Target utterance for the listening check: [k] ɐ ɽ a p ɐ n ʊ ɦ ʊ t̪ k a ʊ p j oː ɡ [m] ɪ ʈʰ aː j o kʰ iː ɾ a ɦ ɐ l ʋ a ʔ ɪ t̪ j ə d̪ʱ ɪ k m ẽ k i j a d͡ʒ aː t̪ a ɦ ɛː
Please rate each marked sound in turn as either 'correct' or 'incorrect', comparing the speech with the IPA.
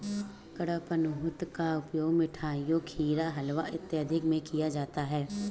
correct, correct

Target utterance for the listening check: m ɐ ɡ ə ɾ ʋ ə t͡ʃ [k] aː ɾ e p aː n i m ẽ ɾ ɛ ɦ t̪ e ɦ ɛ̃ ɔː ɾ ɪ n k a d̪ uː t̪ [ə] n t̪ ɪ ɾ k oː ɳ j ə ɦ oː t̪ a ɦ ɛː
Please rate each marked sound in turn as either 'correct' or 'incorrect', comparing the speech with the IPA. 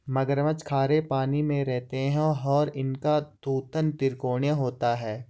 incorrect, correct

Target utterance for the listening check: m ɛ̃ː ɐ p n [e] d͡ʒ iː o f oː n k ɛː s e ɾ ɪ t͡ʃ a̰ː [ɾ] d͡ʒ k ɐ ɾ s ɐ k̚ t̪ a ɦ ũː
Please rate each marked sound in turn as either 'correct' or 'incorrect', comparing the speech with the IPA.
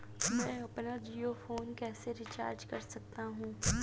incorrect, correct

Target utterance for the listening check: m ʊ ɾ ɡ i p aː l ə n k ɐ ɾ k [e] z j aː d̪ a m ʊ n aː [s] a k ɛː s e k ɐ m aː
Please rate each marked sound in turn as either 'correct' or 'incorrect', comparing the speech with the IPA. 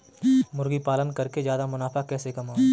correct, incorrect

